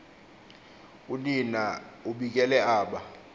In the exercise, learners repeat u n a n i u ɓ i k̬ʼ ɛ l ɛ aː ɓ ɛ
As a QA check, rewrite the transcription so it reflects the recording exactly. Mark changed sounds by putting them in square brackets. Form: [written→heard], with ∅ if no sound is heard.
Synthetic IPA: u n [a→i] n [i→a] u ɓ i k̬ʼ ɛ l ɛ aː ɓ [ɛ→a]